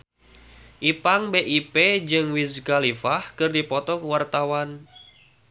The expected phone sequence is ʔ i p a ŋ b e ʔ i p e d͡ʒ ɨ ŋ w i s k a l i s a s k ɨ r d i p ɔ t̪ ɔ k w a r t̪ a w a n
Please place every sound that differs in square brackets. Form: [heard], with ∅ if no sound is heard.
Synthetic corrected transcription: ʔ i p a ŋ b e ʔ i p e d͡ʒ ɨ ŋ w i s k a l i [f] a [h] k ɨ r d i p ɔ t̪ ɔ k w a r t̪ a w a n